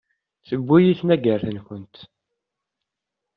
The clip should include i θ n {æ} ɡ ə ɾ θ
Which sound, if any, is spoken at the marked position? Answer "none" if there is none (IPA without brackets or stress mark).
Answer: æ